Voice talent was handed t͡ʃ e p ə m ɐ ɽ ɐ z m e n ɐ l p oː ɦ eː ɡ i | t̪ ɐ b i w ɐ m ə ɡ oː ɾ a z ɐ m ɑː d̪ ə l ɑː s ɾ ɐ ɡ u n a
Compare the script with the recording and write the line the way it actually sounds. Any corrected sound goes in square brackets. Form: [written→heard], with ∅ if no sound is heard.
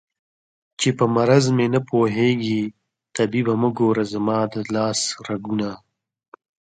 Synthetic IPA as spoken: t͡ʃ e p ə m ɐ [ɽ→ɾ] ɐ z m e n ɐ [l→∅] p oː ɦ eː ɡ i | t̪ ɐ b i [w→b] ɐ m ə ɡ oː ɾ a z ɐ m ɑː d̪ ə l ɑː s ɾ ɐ ɡ u n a